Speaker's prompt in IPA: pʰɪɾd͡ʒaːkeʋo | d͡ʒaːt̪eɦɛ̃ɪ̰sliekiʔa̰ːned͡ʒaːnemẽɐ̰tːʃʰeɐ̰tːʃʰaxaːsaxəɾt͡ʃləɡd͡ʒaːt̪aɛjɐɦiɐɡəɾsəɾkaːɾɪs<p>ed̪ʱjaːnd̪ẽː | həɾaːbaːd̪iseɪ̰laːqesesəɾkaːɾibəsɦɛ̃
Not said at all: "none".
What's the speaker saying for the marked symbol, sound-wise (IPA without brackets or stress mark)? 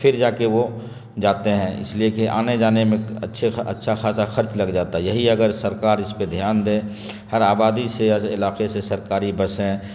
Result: p